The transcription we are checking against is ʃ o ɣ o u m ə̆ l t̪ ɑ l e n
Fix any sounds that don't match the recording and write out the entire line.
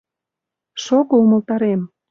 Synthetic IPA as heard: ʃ o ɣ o u m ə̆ l t̪ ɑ ɾ e m

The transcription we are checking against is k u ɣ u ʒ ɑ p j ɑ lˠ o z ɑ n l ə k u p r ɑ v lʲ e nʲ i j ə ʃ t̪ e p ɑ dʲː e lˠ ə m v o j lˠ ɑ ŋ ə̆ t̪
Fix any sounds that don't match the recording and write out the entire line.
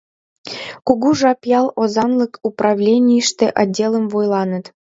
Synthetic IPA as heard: k u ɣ u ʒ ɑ p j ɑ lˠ o z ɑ n l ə k u p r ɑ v lʲ e nʲ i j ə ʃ t̪ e ʔ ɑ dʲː e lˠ ə m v o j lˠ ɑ n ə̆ t̪

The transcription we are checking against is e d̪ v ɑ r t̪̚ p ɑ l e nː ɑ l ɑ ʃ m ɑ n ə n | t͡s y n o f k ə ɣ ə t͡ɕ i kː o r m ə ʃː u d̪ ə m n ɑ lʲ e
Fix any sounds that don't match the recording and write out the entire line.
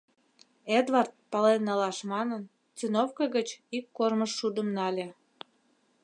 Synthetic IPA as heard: e d̪ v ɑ r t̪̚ p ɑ l e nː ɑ l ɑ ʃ m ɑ n ə n | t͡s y n o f k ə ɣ ə t͡ɕ i kː o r m ə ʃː u d̪ ə m n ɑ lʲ e

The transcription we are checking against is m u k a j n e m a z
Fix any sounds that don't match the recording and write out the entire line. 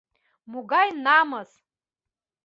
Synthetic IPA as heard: m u ɡ a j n a m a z

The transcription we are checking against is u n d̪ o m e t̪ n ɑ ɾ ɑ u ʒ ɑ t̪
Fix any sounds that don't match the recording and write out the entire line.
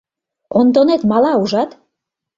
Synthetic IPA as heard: o n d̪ o n e t̪ m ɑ l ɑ u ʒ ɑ t̪

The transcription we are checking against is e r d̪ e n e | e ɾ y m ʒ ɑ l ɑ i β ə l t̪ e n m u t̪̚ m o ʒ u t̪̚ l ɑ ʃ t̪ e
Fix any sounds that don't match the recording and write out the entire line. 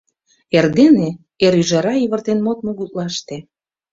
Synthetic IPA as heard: e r d̪ e n e | e ɾ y ʒ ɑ ɾ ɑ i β ə r t̪ e n m o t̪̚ m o ɣ u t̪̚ l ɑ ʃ t̪ e

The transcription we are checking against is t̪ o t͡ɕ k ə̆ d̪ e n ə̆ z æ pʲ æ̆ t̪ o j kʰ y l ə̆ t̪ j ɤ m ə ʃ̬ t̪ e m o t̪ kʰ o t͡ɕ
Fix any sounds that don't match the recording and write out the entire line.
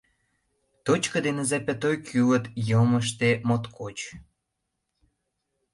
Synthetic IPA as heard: t̪ o t͡ɕ k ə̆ d̪ e n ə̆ z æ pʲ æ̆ t̪ o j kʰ y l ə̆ t̪ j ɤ m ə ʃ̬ t̪ e m o t̪ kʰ o t͡ɕ

